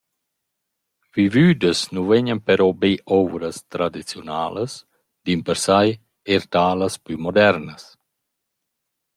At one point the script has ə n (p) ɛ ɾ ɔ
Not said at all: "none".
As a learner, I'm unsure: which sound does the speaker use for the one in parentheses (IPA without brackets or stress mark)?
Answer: p